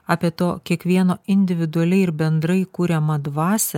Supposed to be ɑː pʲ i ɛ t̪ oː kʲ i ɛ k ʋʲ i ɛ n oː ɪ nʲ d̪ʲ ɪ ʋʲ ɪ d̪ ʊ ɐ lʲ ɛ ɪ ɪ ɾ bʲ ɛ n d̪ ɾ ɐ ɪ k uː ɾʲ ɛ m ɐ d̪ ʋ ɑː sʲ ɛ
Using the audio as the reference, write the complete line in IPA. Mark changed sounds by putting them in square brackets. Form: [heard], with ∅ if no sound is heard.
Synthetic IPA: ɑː pʲ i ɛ t̪ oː kʲ i ɛ k ʋʲ i ɛ n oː ɪ nʲ d̪ʲ ɪ ʋʲ ɪ d̪ ʊ ɐ lʲ ɛ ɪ ɪ ɾ bʲ ɛ n d̪ ɾ ɐ ɪ k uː ɾʲ ɛ m ɐ d̪ ʋ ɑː sʲ ɛ